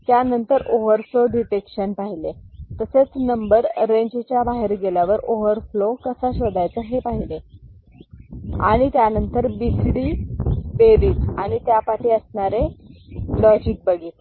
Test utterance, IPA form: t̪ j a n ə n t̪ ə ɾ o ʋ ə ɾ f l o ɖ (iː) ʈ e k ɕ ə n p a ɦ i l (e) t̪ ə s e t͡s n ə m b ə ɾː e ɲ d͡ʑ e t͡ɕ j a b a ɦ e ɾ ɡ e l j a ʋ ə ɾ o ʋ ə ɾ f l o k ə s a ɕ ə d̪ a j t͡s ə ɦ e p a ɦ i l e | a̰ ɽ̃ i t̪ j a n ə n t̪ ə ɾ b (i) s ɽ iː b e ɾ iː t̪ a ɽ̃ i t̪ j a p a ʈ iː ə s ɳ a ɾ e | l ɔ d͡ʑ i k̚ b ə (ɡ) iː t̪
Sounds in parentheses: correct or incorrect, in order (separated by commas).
incorrect, correct, correct, correct